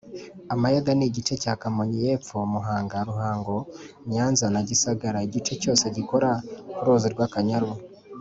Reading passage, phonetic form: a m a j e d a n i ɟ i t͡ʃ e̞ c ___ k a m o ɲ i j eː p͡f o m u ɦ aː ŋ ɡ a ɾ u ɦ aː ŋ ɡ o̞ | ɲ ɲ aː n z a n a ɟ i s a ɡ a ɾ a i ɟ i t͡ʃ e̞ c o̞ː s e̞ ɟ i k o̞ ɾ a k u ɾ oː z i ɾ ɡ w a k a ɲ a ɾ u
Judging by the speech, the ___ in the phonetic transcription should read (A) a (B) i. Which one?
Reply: A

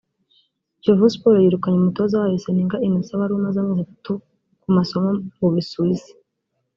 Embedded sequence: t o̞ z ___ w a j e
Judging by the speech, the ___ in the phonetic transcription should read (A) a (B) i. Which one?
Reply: A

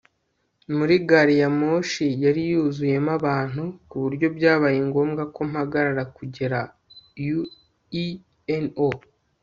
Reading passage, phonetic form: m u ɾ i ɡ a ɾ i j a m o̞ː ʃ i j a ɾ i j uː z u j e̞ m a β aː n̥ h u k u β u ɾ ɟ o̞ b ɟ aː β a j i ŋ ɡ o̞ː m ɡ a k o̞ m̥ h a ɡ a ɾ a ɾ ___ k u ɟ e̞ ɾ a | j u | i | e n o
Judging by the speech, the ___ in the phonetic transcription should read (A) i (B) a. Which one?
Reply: B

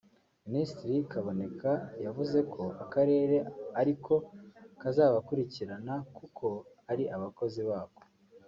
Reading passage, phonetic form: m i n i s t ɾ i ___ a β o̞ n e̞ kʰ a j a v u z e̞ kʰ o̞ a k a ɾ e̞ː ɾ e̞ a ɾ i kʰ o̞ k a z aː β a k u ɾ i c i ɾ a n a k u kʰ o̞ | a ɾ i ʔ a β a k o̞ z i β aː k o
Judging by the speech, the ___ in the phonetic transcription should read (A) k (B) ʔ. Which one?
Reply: A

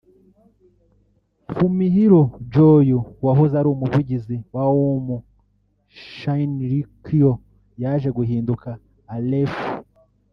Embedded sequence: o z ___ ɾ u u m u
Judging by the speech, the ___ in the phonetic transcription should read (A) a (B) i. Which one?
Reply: A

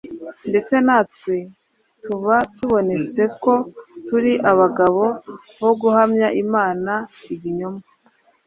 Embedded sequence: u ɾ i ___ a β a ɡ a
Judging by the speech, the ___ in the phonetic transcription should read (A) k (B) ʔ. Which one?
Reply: B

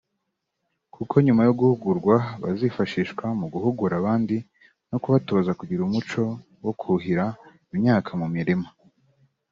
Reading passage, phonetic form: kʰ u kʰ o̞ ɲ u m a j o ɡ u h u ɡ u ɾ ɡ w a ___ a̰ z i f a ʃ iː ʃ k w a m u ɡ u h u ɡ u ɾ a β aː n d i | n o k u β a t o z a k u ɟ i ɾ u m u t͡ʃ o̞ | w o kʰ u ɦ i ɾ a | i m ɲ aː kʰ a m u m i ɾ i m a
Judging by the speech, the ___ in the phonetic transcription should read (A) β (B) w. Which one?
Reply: A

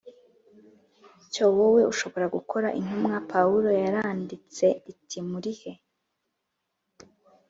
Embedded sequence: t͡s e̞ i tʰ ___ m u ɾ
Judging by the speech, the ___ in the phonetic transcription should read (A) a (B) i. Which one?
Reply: B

